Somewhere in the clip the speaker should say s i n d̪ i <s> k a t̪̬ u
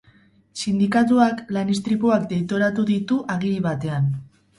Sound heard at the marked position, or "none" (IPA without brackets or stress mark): none